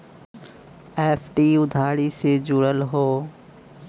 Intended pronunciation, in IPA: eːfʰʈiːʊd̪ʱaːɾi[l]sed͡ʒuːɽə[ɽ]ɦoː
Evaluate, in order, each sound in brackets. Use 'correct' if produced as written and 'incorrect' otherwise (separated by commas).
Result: incorrect, incorrect